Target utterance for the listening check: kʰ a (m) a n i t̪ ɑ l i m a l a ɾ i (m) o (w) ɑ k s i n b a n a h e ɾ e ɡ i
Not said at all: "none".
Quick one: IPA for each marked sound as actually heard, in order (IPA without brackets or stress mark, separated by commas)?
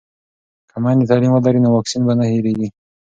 m, n, w